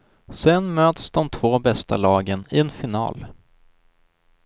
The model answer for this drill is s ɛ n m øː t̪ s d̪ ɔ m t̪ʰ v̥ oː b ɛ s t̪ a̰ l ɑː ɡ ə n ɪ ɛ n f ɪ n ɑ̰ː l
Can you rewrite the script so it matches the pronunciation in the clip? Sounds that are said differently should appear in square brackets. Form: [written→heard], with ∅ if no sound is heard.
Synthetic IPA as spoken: s ɛ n m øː t̪ s d̪ ɔ m t̪ʰ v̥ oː b ɛ s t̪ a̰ l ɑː ɡ ə n ɪ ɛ n f ɪ n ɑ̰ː l